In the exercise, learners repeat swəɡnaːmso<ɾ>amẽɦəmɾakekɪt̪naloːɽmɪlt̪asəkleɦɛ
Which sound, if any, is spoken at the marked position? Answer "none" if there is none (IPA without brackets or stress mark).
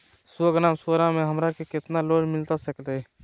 ɾ